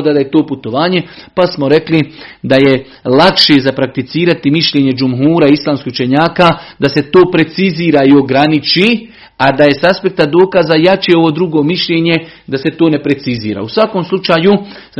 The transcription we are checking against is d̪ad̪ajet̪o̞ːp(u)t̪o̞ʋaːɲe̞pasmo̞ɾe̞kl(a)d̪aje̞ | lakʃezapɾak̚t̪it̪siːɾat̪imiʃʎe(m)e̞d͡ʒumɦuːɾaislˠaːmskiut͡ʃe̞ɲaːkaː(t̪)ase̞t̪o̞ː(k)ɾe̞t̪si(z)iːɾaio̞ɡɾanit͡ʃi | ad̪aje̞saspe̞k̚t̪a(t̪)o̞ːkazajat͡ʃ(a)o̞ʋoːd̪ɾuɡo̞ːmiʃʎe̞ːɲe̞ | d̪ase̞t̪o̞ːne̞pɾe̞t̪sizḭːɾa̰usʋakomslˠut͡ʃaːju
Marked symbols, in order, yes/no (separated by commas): yes, no, no, no, no, yes, no, no